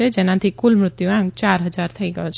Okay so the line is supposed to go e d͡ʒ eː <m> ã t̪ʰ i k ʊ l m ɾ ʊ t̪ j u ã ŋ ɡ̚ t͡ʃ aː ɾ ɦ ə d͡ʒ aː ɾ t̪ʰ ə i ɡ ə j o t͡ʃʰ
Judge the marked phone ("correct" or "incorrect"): incorrect